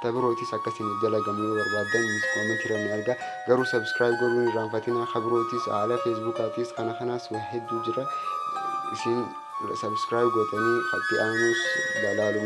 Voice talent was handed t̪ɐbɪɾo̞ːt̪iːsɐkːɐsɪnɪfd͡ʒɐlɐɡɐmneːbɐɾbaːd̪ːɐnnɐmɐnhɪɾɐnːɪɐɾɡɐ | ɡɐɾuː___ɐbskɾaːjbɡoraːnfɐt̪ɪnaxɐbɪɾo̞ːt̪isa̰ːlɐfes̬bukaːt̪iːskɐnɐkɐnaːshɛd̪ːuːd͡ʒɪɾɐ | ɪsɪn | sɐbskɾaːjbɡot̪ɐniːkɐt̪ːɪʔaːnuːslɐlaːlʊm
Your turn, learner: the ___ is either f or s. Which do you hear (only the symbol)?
s